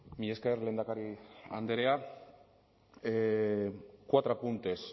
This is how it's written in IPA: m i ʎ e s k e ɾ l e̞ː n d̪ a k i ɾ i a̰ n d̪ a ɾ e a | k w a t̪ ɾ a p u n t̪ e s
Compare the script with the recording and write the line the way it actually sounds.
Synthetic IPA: m i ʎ e s k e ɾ l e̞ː n d̪ a k a ɾ i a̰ n d̪ e ɾ e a | k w a t̪ ɾ a p u n t̪ e s